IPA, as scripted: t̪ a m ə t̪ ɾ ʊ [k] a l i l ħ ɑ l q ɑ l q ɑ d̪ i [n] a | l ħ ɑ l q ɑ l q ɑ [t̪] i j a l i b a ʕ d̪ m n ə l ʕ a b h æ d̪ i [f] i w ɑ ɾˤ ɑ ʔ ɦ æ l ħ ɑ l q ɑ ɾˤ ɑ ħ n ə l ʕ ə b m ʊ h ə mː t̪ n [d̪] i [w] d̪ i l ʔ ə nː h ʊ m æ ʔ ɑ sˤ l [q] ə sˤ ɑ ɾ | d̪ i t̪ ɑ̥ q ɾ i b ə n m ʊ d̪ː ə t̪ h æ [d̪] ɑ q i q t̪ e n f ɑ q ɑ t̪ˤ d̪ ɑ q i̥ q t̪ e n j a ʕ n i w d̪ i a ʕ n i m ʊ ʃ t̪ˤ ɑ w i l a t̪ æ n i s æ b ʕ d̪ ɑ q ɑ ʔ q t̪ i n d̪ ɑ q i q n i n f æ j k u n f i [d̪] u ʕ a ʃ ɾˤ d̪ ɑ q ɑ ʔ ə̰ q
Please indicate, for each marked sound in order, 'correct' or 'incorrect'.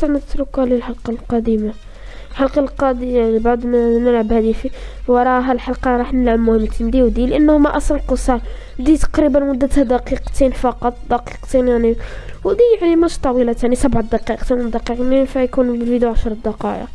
correct, incorrect: m, incorrect: d̪, correct, correct, correct, correct, correct, correct

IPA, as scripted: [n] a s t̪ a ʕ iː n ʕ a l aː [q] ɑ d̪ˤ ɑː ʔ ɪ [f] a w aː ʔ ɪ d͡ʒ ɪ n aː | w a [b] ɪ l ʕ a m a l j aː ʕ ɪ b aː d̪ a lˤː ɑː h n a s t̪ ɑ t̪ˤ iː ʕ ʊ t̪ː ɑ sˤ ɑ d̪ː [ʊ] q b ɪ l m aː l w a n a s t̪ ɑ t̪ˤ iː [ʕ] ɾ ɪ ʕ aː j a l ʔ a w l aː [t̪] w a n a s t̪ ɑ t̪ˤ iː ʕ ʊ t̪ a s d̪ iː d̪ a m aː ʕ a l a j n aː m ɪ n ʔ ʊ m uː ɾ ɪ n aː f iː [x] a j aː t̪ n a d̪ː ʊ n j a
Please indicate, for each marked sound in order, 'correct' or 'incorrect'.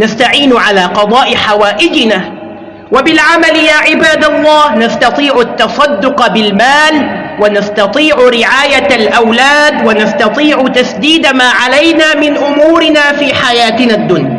correct, correct, incorrect: ħ, correct, correct, correct, incorrect: d̪, incorrect: ħ

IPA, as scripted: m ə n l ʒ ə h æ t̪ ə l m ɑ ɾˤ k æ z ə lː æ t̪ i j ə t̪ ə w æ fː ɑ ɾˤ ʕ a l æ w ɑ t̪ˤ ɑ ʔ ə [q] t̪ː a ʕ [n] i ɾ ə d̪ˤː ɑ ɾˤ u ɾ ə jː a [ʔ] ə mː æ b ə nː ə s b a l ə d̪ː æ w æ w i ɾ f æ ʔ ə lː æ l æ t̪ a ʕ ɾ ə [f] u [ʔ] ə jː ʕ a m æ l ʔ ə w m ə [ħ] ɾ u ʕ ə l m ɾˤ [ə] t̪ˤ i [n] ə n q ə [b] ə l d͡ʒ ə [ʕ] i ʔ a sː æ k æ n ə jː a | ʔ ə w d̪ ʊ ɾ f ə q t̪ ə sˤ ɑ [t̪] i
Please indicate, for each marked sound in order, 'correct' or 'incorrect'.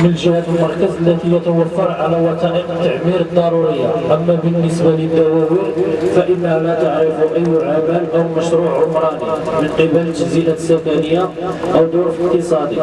correct, incorrect: m, correct, correct, correct, incorrect: ʃ, incorrect: ɑ, incorrect: m, correct, incorrect: z, incorrect: d̪

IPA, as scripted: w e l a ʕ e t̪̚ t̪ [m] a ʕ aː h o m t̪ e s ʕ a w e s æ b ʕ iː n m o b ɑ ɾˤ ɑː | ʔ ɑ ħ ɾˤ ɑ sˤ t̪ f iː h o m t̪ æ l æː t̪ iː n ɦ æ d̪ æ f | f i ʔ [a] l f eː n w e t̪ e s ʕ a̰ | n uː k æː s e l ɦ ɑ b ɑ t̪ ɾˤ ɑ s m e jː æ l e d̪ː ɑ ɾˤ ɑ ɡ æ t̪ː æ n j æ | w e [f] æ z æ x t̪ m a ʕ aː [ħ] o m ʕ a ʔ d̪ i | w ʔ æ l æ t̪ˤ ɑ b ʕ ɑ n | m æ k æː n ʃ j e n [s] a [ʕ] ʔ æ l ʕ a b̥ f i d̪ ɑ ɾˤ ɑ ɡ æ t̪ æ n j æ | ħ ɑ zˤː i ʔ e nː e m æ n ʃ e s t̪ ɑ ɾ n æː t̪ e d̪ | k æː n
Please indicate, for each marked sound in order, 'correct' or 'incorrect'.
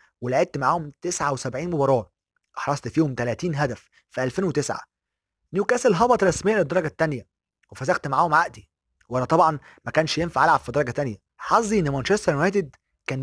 correct, incorrect: æ, correct, incorrect: h, incorrect: f, correct

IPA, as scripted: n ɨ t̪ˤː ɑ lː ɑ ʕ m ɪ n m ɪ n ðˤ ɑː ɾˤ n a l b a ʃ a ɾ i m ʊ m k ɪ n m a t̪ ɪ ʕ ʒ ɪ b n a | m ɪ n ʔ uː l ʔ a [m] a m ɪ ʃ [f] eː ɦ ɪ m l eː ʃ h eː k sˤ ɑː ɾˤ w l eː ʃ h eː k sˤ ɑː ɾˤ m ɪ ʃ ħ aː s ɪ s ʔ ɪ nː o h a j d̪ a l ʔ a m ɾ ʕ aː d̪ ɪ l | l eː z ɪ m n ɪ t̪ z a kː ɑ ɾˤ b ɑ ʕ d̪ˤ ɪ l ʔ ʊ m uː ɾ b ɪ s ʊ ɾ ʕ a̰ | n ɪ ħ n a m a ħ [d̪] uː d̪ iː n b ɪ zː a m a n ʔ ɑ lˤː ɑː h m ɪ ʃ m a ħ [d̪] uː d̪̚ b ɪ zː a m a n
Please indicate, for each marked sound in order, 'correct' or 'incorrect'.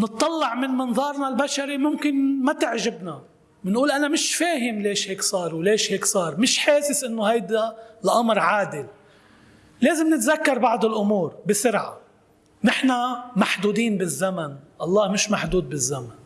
incorrect: n, correct, correct, correct

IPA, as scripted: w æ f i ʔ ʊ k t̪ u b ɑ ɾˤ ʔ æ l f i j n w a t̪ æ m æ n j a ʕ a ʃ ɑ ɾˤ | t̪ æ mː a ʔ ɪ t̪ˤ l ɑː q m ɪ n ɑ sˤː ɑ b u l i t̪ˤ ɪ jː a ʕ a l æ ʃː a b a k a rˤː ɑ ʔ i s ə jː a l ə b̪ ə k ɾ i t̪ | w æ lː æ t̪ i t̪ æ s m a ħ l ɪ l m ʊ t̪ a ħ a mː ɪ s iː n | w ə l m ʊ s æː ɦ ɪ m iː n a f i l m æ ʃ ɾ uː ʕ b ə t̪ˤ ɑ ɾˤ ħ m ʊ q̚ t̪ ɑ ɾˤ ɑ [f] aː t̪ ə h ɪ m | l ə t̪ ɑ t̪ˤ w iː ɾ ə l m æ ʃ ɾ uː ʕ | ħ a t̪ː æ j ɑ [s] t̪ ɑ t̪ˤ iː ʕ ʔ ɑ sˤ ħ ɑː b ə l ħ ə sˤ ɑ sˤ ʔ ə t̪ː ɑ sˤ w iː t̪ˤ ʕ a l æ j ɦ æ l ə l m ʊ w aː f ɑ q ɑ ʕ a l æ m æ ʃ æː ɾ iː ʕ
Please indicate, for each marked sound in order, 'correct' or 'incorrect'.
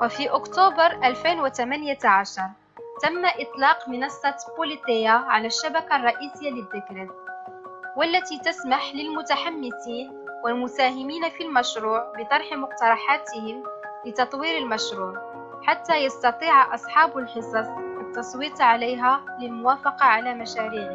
incorrect: ħ, correct

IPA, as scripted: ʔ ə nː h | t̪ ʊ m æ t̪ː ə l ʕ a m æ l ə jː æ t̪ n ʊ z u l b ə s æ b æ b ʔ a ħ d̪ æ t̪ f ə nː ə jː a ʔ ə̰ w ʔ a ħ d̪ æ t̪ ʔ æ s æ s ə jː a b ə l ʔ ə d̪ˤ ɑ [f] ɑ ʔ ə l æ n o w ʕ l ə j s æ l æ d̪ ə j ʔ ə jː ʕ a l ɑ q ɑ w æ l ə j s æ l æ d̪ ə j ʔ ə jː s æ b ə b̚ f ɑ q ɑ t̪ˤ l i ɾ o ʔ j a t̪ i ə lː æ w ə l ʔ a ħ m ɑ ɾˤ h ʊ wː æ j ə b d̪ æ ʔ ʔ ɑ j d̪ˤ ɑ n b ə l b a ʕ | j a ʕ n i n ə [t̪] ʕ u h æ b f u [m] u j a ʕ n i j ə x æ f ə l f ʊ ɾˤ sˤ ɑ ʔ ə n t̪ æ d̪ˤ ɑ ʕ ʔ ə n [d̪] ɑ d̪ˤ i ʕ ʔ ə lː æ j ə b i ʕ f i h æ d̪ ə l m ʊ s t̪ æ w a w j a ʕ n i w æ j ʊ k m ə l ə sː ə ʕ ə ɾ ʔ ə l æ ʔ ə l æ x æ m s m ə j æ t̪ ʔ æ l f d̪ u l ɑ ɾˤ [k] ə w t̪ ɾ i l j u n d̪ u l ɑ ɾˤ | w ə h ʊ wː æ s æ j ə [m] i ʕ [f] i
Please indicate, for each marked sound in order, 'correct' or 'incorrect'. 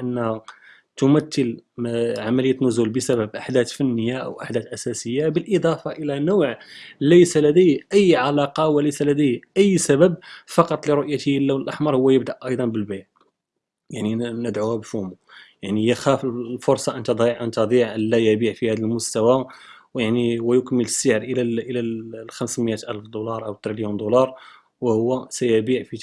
correct, incorrect: d̪, correct, incorrect: t̪, incorrect: ʔ, incorrect: b, correct

